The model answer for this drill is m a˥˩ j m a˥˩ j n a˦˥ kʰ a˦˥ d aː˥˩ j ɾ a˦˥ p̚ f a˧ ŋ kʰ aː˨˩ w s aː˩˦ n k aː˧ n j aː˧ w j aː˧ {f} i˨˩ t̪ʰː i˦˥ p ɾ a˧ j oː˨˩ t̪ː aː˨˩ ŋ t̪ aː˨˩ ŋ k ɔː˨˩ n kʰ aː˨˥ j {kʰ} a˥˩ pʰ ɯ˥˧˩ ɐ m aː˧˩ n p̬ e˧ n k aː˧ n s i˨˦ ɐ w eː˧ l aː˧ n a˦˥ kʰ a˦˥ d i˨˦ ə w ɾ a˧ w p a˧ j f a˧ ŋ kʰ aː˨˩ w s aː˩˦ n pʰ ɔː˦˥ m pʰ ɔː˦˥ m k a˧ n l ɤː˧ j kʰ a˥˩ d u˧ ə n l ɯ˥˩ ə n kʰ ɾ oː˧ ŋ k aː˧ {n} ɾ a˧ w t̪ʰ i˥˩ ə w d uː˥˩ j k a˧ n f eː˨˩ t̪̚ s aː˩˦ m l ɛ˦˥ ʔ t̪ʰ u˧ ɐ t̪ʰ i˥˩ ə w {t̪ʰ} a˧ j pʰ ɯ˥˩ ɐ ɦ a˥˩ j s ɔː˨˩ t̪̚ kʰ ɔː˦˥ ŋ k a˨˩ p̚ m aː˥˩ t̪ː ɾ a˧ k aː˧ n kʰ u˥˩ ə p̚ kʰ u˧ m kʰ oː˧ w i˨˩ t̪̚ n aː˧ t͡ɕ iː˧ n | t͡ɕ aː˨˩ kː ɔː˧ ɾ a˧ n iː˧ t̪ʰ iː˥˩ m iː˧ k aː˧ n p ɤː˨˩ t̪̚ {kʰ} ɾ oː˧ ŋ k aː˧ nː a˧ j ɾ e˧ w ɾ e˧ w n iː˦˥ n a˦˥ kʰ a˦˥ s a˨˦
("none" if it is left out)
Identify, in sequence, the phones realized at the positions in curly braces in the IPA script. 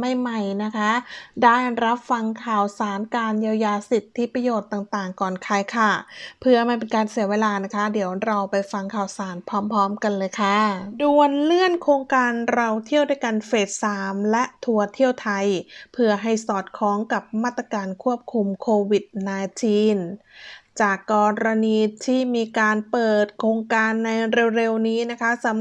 s, kʰ, n, t̪ʰ, kʰ

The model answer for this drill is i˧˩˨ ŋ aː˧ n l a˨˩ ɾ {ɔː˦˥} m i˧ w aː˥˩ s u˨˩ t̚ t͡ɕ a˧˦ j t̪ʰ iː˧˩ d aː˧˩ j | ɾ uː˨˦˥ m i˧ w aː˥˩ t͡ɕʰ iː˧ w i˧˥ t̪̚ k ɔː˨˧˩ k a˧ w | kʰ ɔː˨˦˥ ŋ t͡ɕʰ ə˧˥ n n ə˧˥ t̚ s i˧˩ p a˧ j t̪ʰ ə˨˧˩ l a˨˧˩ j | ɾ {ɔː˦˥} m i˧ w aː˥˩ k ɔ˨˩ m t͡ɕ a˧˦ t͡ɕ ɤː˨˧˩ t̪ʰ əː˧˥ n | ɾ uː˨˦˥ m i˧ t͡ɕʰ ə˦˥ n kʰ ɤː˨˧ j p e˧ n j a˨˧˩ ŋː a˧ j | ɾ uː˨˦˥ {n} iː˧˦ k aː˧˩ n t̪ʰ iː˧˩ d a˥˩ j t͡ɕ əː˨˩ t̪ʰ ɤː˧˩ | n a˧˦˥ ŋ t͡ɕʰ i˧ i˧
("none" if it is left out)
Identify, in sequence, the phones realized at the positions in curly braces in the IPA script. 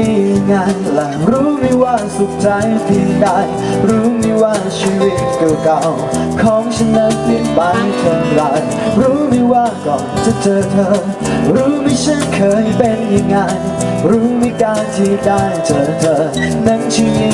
uː˦˥, uː˦˥, m

